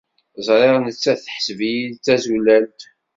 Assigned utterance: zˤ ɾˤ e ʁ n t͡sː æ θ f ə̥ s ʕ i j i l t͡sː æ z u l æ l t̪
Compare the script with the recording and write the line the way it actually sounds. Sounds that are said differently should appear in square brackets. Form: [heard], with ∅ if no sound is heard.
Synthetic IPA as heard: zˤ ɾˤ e ʁ n t͡sː æ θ [ħ] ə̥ s [v] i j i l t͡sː æ z u l æ l t̪